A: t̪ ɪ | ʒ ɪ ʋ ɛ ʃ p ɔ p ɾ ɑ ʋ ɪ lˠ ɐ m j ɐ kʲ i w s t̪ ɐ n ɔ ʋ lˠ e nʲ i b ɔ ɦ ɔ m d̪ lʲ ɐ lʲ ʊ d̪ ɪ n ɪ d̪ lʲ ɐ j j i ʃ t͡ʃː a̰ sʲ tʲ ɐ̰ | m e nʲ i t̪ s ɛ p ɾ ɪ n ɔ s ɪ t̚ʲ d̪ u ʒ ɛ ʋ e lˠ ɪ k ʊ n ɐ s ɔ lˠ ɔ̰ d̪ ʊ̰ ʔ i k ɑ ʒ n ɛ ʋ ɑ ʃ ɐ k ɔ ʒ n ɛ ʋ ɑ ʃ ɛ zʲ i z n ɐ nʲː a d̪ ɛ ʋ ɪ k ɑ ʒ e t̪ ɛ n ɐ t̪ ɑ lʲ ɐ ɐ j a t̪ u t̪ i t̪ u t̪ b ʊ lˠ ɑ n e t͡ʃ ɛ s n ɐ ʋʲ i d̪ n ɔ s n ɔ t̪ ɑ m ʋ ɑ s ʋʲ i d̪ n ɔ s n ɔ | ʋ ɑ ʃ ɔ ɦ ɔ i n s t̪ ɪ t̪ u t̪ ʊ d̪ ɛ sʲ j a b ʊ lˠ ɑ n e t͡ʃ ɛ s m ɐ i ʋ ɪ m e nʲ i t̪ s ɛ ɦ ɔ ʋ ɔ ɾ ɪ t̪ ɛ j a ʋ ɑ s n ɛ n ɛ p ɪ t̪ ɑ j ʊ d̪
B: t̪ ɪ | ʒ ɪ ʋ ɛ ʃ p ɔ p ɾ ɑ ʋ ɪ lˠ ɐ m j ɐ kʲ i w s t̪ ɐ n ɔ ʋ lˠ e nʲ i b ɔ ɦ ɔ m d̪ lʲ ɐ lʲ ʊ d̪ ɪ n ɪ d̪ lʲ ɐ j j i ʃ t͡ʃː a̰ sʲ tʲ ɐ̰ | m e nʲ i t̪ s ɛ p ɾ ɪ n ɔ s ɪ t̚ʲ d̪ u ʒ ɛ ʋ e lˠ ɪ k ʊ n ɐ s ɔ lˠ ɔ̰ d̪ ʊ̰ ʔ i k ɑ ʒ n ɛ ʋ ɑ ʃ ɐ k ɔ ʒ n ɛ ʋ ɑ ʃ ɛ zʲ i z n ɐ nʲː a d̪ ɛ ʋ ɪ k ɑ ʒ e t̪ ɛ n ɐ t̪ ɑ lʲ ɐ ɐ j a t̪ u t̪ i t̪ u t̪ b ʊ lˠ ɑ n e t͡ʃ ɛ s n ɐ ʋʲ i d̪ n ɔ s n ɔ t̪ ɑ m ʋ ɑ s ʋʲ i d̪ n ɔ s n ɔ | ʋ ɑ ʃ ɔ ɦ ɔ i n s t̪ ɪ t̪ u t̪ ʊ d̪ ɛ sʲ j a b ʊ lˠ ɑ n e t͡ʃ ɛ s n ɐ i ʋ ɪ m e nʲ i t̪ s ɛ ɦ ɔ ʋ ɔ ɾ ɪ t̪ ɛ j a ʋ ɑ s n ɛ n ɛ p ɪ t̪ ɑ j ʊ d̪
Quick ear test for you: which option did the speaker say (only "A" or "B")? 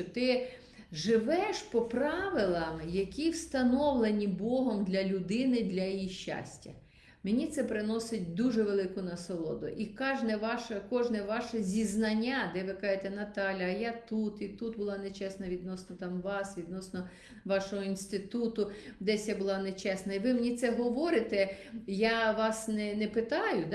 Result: B